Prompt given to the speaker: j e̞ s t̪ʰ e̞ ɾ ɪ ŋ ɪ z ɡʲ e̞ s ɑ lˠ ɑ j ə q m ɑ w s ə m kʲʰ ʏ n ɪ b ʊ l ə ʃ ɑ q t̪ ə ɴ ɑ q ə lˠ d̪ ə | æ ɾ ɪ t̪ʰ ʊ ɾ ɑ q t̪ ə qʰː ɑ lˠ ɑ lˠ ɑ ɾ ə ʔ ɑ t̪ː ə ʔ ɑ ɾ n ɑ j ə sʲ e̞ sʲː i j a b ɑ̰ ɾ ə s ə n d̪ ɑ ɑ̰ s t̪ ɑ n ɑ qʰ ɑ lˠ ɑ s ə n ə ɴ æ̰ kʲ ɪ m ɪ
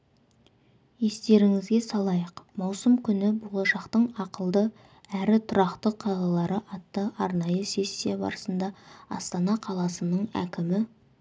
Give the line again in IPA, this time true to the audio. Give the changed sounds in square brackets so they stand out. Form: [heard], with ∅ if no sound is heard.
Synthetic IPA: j e̞ s [t̪] e̞ ɾ ɪ ŋ ɪ z ɡʲ e̞ s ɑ lˠ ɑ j ə q m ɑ w s ə m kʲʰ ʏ n ɪ b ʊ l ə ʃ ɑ q t̪ ə ɴ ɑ q ə lˠ d̪ ə | æ ɾ ɪ t̪ʰ ʊ ɾ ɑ q t̪ ə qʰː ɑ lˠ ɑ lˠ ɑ ɾ ə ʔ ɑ t̪ː ə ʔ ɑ ɾ n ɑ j ə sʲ e̞ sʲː i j a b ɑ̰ ɾ ə s ə n d̪ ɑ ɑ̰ s t̪ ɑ n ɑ qʰ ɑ lˠ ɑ s ə n ə ɴ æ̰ kʲ ɪ m ɪ